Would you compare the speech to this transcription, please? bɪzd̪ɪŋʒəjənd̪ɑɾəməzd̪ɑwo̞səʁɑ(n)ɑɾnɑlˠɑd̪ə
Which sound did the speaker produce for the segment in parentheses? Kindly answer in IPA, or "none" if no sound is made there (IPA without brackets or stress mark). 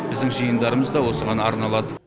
n